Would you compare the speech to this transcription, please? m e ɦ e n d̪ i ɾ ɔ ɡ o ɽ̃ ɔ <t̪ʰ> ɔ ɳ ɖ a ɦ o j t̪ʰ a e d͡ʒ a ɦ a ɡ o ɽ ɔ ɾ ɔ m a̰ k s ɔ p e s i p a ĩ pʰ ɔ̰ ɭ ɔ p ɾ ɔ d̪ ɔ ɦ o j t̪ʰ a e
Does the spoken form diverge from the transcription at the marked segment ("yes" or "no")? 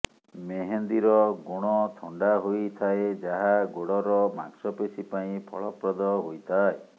no